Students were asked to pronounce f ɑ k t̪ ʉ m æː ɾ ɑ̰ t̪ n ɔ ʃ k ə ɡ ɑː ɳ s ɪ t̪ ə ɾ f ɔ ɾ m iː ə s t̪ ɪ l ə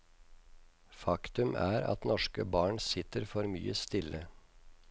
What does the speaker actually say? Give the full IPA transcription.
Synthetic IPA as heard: f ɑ k t̪ ʉ m æː ɾ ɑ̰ t̪ n ɔ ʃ k ə b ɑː ɳ s ɪ t̪ ə ɾ f ɔ ɾ m yː ə s t̪ ɪ l ə